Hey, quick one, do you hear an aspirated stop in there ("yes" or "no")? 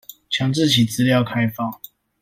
yes